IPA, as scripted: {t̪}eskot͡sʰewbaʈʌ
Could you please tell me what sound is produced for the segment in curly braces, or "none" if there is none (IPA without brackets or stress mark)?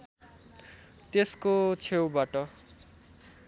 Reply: t̪